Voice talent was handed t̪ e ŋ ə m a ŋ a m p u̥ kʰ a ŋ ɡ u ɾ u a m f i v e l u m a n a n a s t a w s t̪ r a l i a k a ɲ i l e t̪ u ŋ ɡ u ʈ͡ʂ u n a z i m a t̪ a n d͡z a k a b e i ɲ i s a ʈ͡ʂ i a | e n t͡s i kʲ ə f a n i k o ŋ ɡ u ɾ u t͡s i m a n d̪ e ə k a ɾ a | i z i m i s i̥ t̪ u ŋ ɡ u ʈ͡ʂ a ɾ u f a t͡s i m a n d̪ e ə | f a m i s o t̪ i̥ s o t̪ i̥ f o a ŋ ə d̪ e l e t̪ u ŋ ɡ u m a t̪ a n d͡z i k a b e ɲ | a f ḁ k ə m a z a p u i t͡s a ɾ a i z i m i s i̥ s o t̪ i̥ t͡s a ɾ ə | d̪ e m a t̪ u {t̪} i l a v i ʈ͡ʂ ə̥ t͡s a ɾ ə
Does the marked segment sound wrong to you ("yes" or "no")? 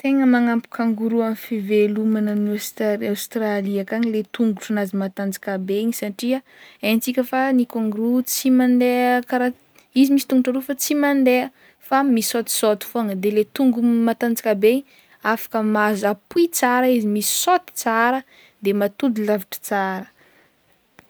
yes